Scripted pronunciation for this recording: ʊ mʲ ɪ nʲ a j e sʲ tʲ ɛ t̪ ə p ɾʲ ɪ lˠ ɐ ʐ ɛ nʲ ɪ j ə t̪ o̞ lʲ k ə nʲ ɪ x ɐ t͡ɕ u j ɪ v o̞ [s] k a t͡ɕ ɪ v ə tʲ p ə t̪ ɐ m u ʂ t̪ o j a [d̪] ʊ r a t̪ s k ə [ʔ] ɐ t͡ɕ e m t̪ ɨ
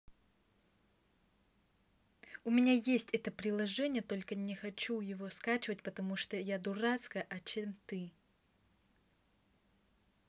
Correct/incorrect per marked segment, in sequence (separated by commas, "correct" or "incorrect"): correct, correct, correct